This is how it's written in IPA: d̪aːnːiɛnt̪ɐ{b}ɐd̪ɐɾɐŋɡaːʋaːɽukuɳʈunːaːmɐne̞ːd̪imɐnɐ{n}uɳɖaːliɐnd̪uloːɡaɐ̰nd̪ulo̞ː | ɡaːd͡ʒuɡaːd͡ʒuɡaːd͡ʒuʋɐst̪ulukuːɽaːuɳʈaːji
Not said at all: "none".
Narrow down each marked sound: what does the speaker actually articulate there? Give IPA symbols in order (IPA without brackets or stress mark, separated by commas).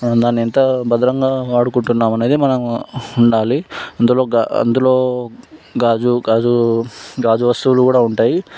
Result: b, m